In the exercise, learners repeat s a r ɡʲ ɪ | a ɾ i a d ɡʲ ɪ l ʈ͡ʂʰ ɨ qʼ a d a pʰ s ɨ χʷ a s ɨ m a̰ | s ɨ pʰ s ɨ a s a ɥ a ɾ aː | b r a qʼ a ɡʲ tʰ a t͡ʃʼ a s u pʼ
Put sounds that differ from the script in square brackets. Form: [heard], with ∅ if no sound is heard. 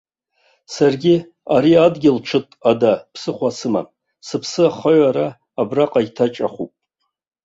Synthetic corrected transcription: s a r ɡʲ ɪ | a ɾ i a d ɡʲ ɪ l ʈ͡ʂʰ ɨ [tʼ] a d a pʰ s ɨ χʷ a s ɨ m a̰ | s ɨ pʰ s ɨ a [χ] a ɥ a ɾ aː | b r a qʼ a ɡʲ tʰ a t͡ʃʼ a [χ] u pʼ